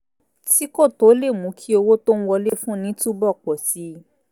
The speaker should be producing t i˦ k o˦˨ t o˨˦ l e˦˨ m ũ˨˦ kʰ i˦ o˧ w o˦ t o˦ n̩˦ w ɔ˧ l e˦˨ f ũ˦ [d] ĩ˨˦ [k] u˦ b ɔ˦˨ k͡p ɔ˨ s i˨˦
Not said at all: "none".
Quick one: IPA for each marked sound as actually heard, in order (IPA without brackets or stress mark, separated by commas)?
n, t